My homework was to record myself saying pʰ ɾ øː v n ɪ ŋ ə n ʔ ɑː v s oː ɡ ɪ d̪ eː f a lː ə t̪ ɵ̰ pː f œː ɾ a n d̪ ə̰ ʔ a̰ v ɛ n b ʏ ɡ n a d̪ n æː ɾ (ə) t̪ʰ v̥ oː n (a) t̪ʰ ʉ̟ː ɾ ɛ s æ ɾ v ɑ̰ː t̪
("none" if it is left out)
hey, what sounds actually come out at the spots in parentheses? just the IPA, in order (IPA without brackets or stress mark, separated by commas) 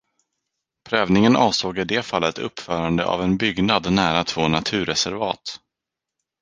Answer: a, a